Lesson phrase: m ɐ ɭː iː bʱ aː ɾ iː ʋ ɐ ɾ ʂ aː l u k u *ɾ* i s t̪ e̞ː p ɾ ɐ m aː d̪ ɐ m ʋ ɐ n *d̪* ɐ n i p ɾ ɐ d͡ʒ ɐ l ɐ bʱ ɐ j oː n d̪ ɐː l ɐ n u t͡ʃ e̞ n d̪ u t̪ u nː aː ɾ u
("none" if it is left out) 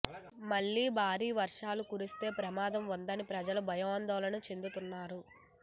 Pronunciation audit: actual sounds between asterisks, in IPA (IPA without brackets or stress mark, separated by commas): ɾ, d̪